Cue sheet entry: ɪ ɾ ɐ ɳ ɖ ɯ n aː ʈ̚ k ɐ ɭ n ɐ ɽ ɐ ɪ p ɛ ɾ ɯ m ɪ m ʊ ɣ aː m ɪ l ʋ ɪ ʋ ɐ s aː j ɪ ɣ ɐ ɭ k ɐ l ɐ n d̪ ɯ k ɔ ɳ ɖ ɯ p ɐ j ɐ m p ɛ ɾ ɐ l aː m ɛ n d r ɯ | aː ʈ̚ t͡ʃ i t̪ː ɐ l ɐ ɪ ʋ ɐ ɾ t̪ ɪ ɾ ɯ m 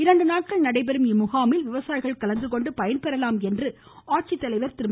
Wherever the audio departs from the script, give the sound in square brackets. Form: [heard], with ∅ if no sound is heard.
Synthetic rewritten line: ɪ ɾ ɐ ɳ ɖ ɯ n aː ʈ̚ k ɐ ɭ n ɐ ɽ ɐ ɪ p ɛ ɾ ɯ m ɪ m ʊ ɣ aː m ɪ l ʋ ɪ ʋ ɐ s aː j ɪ ɣ ɐ ɭ k ɐ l ɐ n d̪ ɯ k ɔ ɳ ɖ ɯ p ɐ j ɐ [n] p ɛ ɾ ɐ l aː m ɛ n d r ɯ | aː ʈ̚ t͡ʃ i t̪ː ɐ l ɐ ɪ ʋ ɐ ɾ t̪ ɪ ɾ ɯ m

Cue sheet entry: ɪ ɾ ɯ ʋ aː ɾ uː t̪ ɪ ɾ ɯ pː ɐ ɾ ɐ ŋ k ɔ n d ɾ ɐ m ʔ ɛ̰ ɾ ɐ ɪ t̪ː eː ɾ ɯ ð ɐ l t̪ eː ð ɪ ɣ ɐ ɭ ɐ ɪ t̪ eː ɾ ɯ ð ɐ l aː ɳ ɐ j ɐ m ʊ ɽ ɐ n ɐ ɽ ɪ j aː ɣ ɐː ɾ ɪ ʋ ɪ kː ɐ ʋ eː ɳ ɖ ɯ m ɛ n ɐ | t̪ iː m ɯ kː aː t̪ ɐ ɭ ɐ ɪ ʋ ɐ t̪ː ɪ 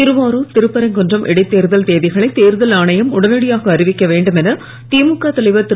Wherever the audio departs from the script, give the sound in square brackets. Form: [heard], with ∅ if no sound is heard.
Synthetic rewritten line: ɪ ɾ ɯ ʋ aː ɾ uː t̪ ɪ ɾ ɯ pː ɐ ɾ ɐ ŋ k ɔ n d [r] ɐ m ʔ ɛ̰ [ɽ] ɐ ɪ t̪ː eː ɾ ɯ ð ɐ l t̪ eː ð ɪ ɣ ɐ ɭ ɐ ɪ t̪ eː ɾ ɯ ð ɐ l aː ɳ ɐ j ɐ m ʊ ɽ ɐ n ɐ ɽ ɪ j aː ɣ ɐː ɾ ɪ ʋ ɪ kː ɐ ʋ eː ɳ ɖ ɯ m ɛ n ɐ | t̪ iː m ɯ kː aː t̪ ɐ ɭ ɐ ɪ ʋ ɐ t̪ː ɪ

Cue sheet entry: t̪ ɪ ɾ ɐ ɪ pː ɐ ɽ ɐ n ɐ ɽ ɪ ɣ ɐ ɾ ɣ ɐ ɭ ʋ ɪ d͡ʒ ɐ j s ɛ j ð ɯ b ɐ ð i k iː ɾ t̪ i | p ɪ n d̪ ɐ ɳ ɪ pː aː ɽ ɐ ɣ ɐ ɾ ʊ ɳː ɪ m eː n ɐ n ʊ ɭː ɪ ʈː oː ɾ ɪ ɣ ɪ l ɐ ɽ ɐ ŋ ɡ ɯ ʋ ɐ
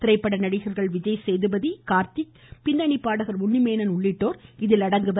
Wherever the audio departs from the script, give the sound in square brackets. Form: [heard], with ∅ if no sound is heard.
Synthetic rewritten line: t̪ ɪ ɾ ɐ ɪ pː ɐ ɽ ɐ n ɐ ɽ ɪ ɣ ɐ ɾ ɣ ɐ ɭ ʋ ɪ d͡ʒ ɐ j s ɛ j ð ɯ b ɐ ð i k [aː] ɾ t̪ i | p ɪ n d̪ ɐ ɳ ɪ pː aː ɽ ɐ ɣ ɐ ɾ ʊ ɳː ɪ m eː n ɐ n ʊ ɭː ɪ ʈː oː ɾ ɪ [ð] ɪ l ɐ ɽ ɐ ŋ ɡ ɯ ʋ ɐ

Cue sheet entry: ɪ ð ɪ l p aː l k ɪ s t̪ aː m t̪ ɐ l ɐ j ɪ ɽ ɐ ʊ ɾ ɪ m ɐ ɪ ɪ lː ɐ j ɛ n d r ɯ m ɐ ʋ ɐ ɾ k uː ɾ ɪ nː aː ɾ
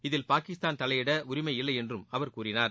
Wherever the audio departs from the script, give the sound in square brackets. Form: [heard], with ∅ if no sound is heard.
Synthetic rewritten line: ɪ ð ɪ l p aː [∅] k ɪ s t̪ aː [n] t̪ ɐ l ɐ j ɪ ɽ ɐ ʊ ɾ ɪ m ɐ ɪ ɪ lː ɐ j ɛ n d r ɯ m ɐ ʋ ɐ ɾ k uː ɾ ɪ [n] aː ɾ

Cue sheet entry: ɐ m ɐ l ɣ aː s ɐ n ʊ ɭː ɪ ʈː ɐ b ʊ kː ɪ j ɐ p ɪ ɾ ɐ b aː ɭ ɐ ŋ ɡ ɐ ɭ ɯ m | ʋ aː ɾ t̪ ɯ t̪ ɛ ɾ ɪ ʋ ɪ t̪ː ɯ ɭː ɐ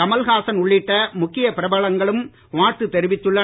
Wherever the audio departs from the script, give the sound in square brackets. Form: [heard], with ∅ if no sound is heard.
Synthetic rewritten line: ɐ m ɐ l ɣ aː s ɐ n ʊ ɭː ɪ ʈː ɐ [m] ʊ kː ɪ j ɐ p ɪ ɾ ɐ b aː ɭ ɐ ŋ ɡ ɐ ɭ ɯ m | ʋ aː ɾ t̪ ɯ t̪ ɛ ɾ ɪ ʋ ɪ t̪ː ɯ ɭː ɐ

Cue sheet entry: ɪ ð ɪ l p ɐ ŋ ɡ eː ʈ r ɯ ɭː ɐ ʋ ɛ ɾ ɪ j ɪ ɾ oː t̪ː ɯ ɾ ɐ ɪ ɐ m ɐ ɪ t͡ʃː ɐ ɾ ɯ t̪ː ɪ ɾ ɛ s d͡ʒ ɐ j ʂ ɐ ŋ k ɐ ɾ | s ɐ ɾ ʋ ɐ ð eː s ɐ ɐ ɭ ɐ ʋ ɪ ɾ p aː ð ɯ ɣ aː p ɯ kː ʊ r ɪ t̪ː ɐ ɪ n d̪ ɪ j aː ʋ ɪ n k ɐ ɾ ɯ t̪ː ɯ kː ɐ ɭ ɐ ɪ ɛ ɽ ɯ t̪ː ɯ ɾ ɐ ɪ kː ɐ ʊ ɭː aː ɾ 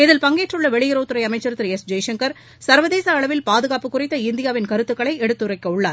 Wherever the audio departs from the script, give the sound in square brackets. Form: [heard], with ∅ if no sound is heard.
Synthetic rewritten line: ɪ ð ɪ l p ɐ ŋ ɡ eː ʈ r ɯ ɭː ɐ ʋ ɛ [ɭ] ɪ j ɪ ɾ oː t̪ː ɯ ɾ ɐ ɪ ɐ m ɐ ɪ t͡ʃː ɐ ɾ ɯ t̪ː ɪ ɾ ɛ s d͡ʒ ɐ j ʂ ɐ ŋ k ɐ ɾ | s ɐ ɾ ʋ ɐ ð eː s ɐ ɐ ɭ ɐ ʋ ɪ [l] p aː ð ɯ ɣ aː p ɯ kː ʊ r ɪ t̪ː ɐ ɪ n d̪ ɪ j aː ʋ ɪ n k ɐ ɾ ɯ t̪ː ɯ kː ɐ ɭ ɐ ɪ ɛ ɽ ɯ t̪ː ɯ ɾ ɐ ɪ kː ɐ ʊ ɭː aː ɾ

